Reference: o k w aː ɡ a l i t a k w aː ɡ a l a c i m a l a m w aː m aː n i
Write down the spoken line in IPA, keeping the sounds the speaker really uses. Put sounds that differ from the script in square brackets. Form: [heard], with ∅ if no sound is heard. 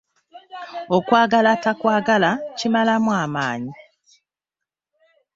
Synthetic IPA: o k w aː ɡ a l [a] t a k w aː ɡ a l a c i m a l a m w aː m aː [ɲ] i

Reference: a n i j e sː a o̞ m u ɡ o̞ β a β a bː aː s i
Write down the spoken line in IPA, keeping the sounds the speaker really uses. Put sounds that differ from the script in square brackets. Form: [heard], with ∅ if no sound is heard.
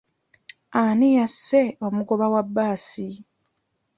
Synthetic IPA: a n i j [a] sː [e] o̞ m u ɡ o̞ β a [w] a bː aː s i

